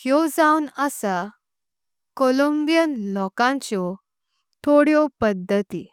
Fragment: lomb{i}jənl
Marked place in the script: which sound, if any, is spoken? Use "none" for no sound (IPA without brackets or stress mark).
i